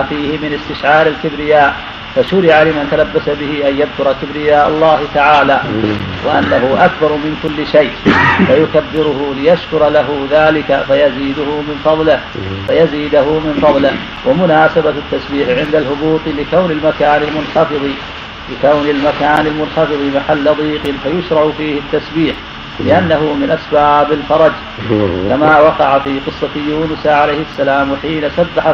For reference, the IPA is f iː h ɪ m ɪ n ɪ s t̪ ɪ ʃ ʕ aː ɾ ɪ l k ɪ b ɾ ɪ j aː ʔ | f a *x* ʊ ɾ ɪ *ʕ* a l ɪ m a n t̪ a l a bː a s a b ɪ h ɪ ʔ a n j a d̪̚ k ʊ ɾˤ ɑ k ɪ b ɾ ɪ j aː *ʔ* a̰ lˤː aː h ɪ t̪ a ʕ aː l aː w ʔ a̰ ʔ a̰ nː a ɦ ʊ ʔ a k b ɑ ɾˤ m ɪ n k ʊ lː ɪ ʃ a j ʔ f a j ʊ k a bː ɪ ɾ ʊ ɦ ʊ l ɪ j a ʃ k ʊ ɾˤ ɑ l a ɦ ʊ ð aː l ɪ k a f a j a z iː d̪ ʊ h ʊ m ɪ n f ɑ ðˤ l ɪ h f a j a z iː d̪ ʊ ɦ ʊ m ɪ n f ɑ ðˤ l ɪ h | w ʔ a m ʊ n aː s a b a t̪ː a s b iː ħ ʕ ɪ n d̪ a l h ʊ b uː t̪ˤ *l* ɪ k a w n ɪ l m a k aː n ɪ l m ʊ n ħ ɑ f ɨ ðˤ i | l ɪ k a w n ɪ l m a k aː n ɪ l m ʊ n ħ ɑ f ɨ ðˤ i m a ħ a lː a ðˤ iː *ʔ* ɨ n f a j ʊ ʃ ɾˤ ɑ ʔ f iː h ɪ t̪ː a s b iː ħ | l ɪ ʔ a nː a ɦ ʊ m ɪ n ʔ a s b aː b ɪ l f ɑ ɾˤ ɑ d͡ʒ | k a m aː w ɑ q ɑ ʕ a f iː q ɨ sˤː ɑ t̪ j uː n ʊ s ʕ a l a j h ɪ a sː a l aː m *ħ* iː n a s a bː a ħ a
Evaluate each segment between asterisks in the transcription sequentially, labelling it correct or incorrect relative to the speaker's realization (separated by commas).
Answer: incorrect, correct, correct, correct, incorrect, correct